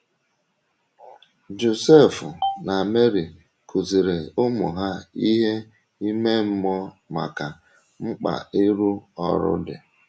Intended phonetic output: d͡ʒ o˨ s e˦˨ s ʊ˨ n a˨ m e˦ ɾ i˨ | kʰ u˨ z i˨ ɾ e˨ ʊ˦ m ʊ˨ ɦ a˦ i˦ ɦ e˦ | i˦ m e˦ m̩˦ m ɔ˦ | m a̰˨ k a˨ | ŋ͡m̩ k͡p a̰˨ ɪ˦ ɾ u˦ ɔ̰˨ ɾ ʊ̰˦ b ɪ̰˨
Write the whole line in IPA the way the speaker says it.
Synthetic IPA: d͡ʒ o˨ s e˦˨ f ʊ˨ n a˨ m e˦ ɾ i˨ | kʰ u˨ z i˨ ɾ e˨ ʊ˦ m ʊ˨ ɦ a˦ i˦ ɦ e˦ | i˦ m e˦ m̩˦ m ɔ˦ | m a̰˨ k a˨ | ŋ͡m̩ k͡p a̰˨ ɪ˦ ɾ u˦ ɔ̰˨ ɾ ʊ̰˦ d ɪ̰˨

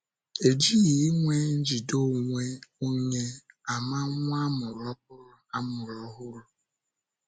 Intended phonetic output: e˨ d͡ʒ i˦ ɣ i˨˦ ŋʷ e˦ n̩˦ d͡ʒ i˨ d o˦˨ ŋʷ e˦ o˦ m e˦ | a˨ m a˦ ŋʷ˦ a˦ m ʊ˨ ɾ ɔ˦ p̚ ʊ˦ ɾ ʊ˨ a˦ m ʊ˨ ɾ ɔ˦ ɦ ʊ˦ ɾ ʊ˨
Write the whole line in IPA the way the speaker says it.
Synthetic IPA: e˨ d͡ʒ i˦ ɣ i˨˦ ŋʷ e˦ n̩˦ d͡ʒ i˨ d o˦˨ ŋʷ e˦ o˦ ɲ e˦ | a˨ m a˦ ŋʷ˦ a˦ m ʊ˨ ɾ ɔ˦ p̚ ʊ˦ ɾ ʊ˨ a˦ m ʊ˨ ɾ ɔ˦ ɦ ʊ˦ ɾ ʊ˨

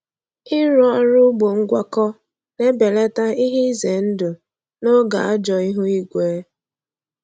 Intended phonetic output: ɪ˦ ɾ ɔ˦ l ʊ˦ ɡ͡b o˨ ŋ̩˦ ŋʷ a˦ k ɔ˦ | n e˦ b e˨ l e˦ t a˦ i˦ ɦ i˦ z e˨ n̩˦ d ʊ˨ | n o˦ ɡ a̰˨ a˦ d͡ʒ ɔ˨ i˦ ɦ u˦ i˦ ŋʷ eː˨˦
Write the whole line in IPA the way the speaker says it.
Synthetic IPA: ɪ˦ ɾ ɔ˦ ɾ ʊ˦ ɡ͡b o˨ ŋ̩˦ ɡʷ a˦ k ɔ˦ | n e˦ b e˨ l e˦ t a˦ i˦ ɦ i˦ z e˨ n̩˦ d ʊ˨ | n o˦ ɡ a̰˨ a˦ d͡ʒ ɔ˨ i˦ ɦ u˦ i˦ ɡʷ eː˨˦

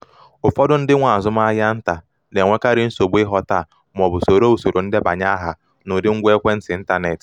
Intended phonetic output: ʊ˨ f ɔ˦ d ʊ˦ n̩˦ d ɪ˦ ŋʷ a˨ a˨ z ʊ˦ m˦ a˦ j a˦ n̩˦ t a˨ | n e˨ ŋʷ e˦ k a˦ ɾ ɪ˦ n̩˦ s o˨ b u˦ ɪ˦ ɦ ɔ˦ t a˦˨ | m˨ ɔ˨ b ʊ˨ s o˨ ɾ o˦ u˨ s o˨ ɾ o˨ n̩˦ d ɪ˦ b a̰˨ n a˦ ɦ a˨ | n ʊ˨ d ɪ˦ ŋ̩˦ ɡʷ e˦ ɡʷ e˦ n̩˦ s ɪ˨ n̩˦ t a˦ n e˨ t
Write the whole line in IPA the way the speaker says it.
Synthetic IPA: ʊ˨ f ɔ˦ d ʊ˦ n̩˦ d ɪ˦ ŋʷ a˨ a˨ z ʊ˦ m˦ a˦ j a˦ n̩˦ t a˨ | n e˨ ŋʷ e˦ k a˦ ɾ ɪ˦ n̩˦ s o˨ b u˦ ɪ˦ ɦ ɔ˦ t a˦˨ | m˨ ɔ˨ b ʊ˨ s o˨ ɾ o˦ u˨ s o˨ ɾ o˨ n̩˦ d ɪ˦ b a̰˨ ɲ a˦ ɦ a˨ | n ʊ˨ d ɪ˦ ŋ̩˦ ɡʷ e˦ kʷ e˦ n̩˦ s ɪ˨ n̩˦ t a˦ n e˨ t

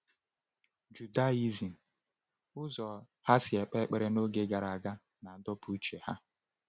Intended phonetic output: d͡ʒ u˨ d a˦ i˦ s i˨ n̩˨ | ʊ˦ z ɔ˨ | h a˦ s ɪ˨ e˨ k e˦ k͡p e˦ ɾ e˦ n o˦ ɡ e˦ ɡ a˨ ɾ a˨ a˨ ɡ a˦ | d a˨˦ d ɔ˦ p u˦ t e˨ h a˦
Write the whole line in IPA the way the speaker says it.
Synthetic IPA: d͡ʒ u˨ d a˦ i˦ z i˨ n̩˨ | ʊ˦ z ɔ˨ | h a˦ s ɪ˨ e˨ k͡p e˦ k͡p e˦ ɾ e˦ n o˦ ɡ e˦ ɡ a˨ ɾ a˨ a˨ ɡ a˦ | n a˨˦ d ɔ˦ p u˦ t͡ʃ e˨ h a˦

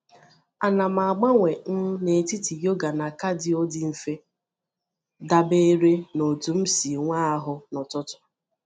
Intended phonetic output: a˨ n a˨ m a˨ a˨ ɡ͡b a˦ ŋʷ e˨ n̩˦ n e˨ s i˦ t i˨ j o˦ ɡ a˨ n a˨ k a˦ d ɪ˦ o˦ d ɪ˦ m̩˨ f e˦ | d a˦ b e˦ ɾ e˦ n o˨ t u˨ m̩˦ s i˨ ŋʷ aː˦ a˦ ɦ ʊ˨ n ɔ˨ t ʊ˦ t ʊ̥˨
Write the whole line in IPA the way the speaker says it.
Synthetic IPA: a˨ n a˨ m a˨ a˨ ɡ͡b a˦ ŋʷ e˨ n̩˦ n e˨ t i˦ t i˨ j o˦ ɡ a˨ n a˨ k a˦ d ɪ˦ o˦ d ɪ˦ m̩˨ f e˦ | d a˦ b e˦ ɾ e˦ n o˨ t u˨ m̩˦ s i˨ ŋʷ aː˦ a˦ ɦ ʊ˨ n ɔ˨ t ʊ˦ t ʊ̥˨

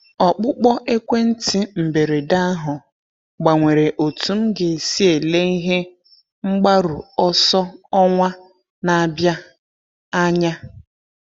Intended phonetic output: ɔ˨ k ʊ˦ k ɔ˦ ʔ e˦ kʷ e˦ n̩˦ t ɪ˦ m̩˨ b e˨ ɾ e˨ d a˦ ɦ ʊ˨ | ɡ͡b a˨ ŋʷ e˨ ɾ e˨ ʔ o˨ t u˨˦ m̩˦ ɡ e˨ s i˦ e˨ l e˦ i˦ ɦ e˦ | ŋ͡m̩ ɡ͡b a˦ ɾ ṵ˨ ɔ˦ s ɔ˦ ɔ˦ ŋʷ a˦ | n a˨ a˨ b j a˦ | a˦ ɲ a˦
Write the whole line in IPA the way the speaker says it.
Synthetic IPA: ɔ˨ k͡p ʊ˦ k͡p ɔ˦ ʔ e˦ kʷ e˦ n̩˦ t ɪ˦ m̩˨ b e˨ ɾ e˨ d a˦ ɦ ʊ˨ | ɡ͡b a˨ ŋʷ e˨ ɾ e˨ ʔ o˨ t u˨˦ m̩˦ ɡ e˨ s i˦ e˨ l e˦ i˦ ɦ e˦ | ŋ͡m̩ ɡ͡b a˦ ɾ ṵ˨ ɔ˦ s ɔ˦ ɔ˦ ŋʷ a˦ | n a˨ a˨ b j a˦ | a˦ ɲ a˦

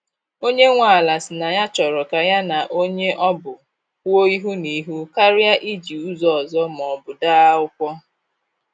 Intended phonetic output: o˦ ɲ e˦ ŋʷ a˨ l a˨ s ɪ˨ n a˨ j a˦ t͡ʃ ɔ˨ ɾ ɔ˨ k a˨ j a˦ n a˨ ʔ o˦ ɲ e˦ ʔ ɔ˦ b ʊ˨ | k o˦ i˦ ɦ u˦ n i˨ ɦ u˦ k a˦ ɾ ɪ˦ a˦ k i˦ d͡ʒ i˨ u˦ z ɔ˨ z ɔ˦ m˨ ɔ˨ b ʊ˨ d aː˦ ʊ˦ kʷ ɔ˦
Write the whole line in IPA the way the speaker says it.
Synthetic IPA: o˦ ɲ e˦ ŋʷ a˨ l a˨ s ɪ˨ n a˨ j a˦ t͡ʃ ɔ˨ ɾ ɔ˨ k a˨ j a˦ n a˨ ʔ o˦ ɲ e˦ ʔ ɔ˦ b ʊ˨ | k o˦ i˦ ɦ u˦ n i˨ ɦ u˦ k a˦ ɾ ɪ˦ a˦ ʔ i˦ d͡ʒ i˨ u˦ z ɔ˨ z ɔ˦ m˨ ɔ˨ b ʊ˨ d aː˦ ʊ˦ kʷ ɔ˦

